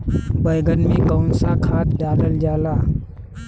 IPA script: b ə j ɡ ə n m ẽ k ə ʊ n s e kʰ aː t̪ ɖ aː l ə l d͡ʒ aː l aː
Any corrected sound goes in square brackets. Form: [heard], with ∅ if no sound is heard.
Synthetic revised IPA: b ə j ɡ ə n m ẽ k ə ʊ n s [a] kʰ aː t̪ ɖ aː l ə l d͡ʒ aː l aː